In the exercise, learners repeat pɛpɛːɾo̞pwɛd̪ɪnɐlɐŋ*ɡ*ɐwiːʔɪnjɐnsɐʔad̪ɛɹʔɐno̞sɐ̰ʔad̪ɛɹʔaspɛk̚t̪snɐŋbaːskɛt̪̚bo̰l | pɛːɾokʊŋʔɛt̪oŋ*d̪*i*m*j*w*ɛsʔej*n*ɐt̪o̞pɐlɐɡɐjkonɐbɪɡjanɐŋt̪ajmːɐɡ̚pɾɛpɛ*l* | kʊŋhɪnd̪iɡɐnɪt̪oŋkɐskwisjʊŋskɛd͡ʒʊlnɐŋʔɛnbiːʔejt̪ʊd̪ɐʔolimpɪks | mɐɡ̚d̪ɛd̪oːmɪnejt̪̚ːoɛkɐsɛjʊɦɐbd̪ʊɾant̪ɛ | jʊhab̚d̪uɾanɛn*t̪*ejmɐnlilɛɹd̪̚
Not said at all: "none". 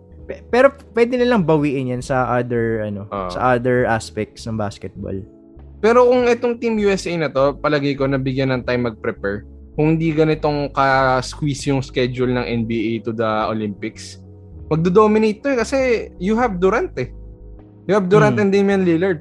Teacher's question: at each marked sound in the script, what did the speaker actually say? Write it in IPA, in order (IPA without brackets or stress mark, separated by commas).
b, t̪, m, u, n, ɹ, d̪